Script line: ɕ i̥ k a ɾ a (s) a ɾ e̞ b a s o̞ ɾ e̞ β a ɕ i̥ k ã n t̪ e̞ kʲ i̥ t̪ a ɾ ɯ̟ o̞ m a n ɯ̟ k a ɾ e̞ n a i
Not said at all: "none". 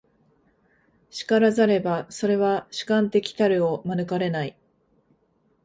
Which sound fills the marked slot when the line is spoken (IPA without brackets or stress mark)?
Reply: z